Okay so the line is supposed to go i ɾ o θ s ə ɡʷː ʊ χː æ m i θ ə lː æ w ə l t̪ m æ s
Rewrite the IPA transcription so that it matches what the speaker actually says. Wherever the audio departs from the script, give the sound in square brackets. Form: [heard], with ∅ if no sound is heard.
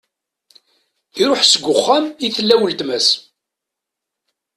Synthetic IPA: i ɾ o [ħ] s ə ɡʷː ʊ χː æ m i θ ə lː æ w ə l t̪ m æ s